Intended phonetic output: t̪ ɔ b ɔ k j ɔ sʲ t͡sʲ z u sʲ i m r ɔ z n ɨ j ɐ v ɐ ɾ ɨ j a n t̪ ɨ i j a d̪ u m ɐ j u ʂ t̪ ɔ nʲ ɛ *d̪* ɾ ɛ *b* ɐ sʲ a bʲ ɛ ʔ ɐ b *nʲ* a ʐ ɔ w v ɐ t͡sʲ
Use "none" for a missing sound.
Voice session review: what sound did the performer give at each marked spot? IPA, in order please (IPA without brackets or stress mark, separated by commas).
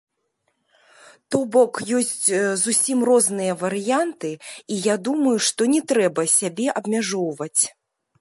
t̪, b, mʲ